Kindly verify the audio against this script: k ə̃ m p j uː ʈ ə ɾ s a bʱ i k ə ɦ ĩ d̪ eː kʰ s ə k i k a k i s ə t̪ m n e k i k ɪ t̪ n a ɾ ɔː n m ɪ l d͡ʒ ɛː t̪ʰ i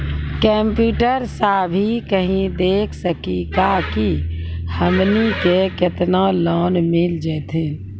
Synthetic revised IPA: k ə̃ m p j uː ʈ ə ɾ s a bʱ i k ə ɦ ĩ d̪ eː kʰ s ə k i k a k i h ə m n i k e k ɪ t̪ n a l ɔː n m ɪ l d͡ʒ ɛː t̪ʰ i